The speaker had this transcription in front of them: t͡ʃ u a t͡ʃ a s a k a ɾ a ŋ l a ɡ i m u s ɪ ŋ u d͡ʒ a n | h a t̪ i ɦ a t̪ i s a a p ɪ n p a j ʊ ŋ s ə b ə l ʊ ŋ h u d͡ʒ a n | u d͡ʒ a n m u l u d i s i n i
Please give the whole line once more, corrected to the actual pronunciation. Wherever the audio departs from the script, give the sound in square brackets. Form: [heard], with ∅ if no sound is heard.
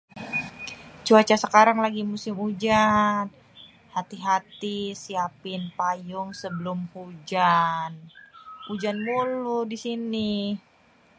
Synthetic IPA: t͡ʃ u a t͡ʃ a s [ə] k a ɾ a ŋ l a ɡ i m u s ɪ [m] u d͡ʒ a n | h a t̪ i ɦ a t̪ i s [i] a p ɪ n p a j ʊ ŋ s ə b ə l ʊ [m] h u d͡ʒ a n | u d͡ʒ a n m u l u d i s i n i